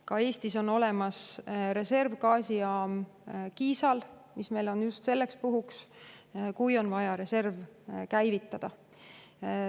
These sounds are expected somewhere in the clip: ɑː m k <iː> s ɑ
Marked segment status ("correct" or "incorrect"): correct